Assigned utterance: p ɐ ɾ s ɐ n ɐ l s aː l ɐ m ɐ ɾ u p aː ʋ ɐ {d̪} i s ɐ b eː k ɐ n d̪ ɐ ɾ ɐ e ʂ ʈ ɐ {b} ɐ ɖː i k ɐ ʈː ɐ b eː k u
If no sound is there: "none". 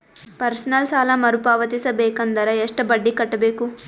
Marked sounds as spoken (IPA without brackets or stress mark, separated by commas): t̪, b